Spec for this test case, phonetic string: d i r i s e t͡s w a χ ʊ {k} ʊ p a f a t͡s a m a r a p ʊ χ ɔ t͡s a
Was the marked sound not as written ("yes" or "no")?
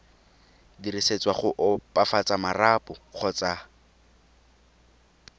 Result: yes